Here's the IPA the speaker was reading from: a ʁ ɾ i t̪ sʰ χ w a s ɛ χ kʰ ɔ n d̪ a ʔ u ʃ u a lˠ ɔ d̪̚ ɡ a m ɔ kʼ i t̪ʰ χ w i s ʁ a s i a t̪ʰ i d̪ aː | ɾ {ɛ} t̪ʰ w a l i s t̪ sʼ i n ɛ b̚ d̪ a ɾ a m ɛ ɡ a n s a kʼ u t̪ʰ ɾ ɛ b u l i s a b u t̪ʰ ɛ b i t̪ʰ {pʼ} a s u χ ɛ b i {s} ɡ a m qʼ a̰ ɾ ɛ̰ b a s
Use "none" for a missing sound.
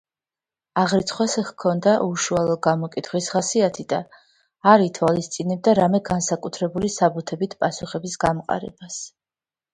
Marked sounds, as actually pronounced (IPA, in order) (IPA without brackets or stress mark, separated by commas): i, pʼ, s